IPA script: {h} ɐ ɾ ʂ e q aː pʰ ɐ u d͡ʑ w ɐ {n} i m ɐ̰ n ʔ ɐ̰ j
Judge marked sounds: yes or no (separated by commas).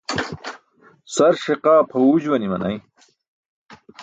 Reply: no, yes